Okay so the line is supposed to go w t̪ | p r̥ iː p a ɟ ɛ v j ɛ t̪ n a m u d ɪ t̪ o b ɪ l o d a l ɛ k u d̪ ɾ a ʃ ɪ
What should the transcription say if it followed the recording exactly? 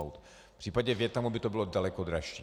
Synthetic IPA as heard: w t̪ | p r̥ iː p a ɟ ɛ v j ɛ t̪ n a m u b ɪ t̪ o b ɪ l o d a l ɛ k o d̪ ɾ a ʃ i